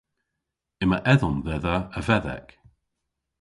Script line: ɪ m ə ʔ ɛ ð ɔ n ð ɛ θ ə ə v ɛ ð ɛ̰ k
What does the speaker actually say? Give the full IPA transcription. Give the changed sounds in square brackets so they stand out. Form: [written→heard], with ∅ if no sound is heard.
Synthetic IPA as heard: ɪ m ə ʔ ɛ ð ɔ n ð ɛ [θ→ð] ə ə v ɛ ð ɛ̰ k